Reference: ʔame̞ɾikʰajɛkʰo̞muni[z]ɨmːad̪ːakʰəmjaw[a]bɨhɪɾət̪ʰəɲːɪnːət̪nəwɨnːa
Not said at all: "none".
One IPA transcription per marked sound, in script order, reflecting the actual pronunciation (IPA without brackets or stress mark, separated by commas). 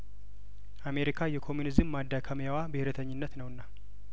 z, a